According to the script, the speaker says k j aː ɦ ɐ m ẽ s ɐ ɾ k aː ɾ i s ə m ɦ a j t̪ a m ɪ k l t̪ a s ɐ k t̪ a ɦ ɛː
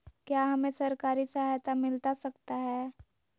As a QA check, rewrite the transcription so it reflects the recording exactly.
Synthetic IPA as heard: k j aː ɦ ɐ m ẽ s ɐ ɾ k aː ɾ i s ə ɦ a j t̪ a m ɪ l t̪ a s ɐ k t̪ a ɦ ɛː